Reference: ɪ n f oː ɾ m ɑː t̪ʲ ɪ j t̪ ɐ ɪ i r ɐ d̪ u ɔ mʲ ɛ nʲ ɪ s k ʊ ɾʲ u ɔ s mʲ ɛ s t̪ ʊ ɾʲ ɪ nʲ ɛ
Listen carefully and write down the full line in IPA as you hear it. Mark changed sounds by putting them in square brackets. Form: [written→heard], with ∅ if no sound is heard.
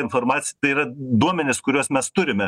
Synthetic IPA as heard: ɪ n f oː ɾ m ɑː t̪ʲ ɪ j t̪ ɐ ɪ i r ɐ d̪ u ɔ mʲ ɛ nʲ ɪ s k ʊ ɾʲ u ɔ s mʲ ɛ s t̪ ʊ ɾʲ ɪ [nʲ→mʲ] ɛ